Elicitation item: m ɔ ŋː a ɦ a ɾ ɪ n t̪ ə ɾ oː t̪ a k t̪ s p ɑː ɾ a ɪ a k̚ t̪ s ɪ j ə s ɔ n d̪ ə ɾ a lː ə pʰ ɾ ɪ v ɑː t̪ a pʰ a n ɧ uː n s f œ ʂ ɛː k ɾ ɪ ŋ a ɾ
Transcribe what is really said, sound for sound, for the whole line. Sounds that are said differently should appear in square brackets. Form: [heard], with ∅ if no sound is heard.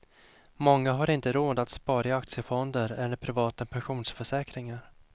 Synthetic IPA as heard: m ɔ ŋː a ɦ a ɾ ɪ n t̪ ə ɾ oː [d̪] a [∅] t̪ s p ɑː ɾ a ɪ a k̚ t̪ s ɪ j ə [f] ɔ n d̪ ə ɾ [ɛ] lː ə pʰ ɾ ɪ v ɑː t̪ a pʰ [ɛ] n ɧ uː n s f œ ʂ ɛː k ɾ ɪ ŋ a ɾ